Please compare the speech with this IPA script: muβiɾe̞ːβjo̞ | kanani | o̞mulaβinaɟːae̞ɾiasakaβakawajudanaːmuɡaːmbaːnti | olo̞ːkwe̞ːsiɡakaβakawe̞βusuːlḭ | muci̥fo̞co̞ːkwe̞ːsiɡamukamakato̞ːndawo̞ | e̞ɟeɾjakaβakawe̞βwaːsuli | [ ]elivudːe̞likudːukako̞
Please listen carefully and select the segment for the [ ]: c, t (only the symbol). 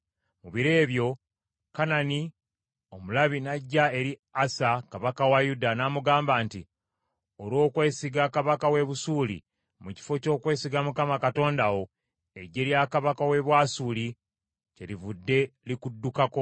c